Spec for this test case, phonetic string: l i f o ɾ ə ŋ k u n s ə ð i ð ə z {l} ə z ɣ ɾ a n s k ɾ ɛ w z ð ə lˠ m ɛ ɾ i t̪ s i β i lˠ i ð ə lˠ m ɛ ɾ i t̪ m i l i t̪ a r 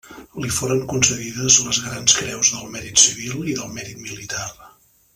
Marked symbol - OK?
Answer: yes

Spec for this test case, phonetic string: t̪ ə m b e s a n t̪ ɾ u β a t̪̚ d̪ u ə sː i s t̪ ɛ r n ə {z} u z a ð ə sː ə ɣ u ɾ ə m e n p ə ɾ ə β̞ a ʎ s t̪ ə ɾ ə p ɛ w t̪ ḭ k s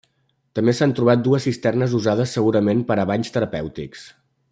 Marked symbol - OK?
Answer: yes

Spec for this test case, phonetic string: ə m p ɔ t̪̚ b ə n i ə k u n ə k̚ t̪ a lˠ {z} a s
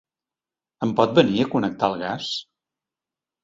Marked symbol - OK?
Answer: no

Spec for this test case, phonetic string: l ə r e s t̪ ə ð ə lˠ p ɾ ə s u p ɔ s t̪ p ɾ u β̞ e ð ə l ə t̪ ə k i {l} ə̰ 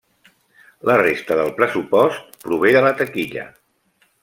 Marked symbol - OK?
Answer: no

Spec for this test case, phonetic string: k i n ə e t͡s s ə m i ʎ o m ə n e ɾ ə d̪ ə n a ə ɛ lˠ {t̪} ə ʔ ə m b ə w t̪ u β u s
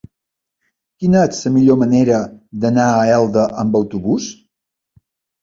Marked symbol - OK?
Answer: no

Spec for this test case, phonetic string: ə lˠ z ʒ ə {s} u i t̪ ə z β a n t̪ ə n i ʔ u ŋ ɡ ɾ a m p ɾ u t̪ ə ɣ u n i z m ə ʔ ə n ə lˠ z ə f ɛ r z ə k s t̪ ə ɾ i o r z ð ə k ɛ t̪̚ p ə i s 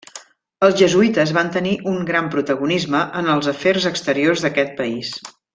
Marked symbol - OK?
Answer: no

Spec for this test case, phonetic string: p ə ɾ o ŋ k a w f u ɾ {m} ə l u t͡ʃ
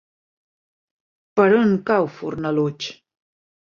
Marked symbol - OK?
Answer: no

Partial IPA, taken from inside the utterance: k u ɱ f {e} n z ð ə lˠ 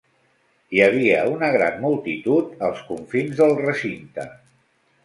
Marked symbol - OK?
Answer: no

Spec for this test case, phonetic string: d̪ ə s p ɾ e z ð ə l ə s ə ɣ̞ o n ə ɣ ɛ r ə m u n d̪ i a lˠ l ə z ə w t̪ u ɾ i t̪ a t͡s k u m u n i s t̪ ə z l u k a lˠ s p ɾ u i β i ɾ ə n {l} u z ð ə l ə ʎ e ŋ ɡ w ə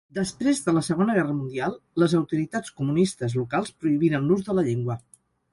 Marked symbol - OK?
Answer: yes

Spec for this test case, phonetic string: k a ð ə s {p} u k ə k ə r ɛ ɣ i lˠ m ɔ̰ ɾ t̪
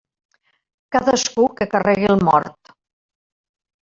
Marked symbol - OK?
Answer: no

